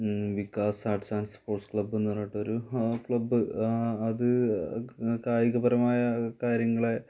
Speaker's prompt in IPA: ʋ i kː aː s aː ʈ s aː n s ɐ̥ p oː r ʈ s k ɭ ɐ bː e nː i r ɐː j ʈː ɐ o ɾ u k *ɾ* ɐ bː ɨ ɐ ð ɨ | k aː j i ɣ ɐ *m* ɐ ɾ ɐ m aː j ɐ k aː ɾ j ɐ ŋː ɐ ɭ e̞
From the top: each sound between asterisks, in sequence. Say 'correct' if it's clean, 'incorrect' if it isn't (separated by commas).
incorrect, incorrect